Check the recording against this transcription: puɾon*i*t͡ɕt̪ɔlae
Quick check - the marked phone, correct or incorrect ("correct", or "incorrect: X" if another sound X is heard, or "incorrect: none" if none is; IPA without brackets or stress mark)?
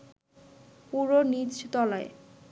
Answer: correct